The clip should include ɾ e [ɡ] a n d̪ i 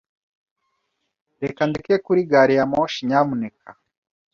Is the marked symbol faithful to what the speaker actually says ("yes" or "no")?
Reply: no